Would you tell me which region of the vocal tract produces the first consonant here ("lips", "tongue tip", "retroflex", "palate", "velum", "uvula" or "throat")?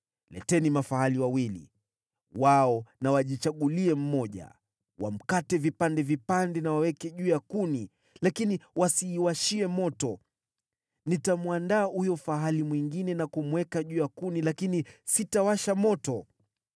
tongue tip